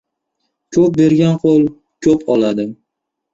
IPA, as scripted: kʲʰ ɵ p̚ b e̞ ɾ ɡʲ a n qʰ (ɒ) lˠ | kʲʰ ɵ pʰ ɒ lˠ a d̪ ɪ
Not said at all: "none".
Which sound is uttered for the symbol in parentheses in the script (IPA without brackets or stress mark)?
o